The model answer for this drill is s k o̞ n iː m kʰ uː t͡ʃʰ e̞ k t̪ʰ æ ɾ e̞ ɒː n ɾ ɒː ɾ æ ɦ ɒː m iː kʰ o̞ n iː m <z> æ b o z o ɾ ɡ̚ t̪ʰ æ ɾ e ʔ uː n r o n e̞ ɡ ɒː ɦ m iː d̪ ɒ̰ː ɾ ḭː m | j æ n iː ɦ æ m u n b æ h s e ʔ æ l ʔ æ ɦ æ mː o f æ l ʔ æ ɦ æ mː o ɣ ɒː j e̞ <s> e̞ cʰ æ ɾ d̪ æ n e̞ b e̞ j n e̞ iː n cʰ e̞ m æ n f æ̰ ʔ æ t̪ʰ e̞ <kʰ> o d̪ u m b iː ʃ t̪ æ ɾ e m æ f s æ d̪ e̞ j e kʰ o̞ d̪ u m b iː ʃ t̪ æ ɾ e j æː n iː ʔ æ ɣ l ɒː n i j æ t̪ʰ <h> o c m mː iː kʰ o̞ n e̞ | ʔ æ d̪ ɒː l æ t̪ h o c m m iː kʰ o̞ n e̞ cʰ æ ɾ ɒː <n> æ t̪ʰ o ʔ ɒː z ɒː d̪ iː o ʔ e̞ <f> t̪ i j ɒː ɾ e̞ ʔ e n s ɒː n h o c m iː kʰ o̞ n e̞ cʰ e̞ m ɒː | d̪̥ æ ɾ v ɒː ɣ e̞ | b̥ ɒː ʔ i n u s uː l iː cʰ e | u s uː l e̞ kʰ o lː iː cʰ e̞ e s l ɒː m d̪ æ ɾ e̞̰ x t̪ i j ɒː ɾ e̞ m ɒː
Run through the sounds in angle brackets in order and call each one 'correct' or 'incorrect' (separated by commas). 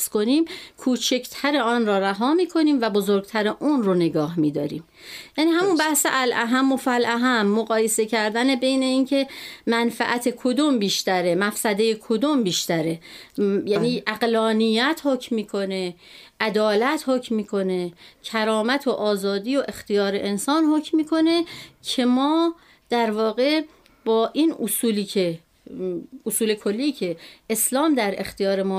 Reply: incorrect, correct, correct, correct, incorrect, incorrect